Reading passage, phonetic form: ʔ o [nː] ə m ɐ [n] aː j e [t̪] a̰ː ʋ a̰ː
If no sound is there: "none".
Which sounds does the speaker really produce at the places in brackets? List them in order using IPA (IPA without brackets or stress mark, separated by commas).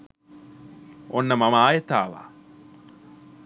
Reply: nː, m, t̪